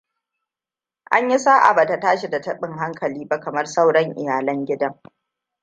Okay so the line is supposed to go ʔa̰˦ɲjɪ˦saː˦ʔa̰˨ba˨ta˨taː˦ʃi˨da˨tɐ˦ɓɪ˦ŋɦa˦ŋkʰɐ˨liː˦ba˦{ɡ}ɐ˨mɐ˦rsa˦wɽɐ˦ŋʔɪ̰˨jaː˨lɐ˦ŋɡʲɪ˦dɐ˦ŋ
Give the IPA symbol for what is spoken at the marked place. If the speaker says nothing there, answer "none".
k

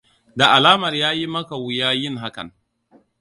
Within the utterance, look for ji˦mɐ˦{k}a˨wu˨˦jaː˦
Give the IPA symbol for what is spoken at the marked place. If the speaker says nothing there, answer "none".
k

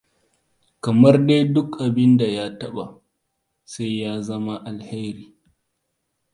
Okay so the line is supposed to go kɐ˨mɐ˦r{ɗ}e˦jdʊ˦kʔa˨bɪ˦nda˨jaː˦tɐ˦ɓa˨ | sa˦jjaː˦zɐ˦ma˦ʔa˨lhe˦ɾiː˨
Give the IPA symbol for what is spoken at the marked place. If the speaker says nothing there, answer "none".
d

